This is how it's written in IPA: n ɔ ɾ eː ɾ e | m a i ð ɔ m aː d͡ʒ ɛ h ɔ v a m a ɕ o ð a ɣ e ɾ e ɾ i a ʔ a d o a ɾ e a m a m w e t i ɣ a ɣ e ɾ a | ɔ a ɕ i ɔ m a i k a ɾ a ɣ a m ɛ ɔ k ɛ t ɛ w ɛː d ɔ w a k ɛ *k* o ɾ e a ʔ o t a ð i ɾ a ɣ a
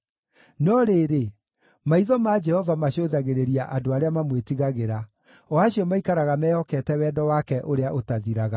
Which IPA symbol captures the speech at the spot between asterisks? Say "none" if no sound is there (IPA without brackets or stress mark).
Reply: ʔ